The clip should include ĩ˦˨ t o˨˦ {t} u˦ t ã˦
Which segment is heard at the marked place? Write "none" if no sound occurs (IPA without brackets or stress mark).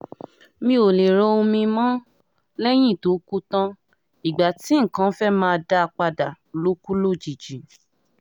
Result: k